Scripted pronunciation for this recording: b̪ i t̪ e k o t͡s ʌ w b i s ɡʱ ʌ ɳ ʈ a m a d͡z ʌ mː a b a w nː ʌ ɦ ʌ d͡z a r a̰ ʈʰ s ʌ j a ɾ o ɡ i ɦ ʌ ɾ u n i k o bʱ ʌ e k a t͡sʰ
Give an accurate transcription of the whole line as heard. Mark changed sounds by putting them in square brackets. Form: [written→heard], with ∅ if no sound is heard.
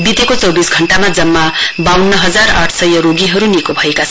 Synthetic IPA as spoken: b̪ i t̪ e k o t͡s ʌ w b i s ɡʱ ʌ ɳ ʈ a m a d͡z ʌ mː a b a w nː ʌ ɦ ʌ d͡z a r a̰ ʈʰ s ʌ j [a→ʌ] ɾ o ɡ i ɦ ʌ ɾ u n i k o bʱ ʌ e k a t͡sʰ